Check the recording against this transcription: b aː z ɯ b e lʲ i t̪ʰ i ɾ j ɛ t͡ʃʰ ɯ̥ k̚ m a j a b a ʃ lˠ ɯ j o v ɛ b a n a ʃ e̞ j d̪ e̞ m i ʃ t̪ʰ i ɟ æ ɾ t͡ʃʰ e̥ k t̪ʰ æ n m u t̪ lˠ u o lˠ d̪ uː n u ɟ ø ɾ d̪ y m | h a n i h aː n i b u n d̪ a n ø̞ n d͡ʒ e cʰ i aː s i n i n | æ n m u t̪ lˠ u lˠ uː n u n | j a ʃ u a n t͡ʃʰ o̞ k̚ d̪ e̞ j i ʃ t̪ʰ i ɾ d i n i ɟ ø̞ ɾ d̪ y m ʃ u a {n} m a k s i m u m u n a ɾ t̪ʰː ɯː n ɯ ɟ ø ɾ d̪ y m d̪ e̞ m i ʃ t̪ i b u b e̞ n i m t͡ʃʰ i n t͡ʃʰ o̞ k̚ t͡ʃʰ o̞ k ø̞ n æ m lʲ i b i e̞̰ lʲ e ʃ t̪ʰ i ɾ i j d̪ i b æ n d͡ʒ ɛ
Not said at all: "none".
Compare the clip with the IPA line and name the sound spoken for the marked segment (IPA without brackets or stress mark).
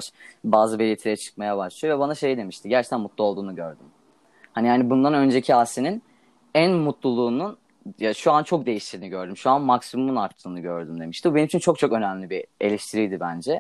n